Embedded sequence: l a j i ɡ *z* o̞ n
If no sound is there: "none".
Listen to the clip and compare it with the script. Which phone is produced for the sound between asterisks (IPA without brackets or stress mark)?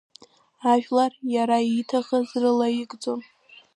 d͡z